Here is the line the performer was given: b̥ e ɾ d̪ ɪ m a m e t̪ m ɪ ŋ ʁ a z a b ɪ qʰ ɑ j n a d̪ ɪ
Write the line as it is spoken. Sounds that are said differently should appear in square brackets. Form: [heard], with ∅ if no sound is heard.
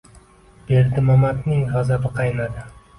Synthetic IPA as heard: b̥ e ɾ d̪ ɪ m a m [a] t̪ [n] ɪ ŋ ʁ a z a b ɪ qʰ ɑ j n a d̪ ɪ